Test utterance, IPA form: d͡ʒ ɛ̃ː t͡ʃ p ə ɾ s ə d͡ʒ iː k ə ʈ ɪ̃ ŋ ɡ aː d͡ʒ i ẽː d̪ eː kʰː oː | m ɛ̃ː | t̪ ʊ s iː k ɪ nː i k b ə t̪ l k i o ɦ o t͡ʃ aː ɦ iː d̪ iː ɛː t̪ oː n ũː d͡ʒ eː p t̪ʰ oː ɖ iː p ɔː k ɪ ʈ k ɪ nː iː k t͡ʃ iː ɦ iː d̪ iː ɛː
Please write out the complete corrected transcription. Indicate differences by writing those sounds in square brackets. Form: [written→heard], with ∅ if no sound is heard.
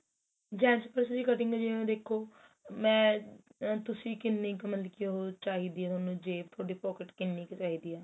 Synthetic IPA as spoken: d͡ʒ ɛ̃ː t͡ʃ p ə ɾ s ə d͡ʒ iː k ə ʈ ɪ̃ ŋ ɡ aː d͡ʒ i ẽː d̪ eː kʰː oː | m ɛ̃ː | t̪ ʊ s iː k ɪ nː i k [b→m] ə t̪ l k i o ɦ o t͡ʃ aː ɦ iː d̪ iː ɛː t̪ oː n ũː d͡ʒ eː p t̪ʰ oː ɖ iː p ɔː k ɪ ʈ k ɪ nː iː k t͡ʃ [iː→aː] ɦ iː d̪ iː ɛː